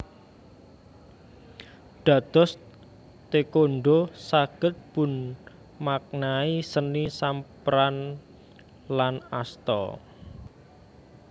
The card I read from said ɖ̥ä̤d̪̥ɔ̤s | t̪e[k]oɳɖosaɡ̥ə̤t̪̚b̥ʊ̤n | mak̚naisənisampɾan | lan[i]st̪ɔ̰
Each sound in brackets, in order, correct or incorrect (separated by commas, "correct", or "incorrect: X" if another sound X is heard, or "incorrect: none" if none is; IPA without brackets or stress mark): correct, incorrect: a